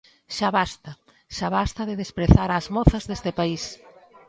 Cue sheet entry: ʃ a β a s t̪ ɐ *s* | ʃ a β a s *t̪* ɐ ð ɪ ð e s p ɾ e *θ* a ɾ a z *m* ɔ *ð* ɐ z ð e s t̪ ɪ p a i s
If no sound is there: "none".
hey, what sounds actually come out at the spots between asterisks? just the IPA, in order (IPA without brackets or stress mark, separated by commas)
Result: none, t̪, θ, m, θ